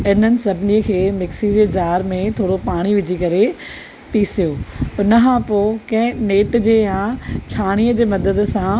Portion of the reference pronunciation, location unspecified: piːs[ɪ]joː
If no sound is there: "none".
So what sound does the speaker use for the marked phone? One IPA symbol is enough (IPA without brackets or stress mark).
i